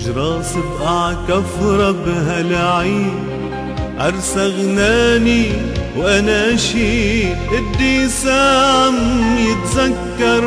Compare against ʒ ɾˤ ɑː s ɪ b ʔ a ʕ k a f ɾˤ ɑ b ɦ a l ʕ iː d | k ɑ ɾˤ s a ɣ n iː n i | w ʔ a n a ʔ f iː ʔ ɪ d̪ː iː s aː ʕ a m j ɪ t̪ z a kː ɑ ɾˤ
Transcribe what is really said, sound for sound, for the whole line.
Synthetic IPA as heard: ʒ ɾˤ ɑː s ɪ b ʔ a ʕ k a f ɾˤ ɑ b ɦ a l ʕ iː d | ʔ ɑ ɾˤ s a ɣ n aː n i | w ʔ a n a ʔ ʃ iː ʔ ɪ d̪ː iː s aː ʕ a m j ɪ t̪ z a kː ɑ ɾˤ